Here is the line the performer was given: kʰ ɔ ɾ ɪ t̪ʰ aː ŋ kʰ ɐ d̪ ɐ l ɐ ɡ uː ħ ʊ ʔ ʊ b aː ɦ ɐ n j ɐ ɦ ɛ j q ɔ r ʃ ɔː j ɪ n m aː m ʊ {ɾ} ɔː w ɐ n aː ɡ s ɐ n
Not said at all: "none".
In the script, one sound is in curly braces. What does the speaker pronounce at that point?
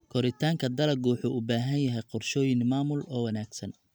l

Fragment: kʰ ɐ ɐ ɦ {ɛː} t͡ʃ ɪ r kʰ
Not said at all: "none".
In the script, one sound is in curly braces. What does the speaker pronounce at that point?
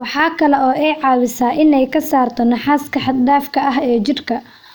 ɛː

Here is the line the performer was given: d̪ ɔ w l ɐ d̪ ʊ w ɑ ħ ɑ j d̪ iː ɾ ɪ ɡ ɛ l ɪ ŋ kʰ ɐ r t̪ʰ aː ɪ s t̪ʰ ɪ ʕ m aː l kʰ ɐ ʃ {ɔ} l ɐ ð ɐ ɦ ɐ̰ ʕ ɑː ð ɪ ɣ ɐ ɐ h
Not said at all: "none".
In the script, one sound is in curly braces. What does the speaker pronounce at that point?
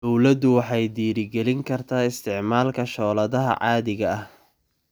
ɔː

